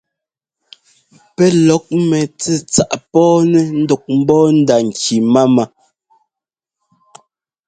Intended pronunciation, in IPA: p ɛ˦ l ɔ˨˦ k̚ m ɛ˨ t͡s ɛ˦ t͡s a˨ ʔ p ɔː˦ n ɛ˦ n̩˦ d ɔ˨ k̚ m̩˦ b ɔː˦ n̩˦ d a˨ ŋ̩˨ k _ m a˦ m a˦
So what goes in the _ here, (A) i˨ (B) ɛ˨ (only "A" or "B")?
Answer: A